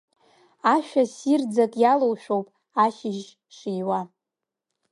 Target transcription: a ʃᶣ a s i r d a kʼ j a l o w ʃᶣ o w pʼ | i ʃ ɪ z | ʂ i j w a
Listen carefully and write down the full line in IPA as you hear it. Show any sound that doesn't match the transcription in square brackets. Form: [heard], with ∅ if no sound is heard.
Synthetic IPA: a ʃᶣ a s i r [d͡z] a kʼ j a l o w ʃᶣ o w pʼ | [a] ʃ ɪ [ʒ] | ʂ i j w a